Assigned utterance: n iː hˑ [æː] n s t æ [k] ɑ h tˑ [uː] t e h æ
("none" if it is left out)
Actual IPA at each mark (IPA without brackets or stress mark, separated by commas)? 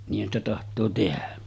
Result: æ, t, oː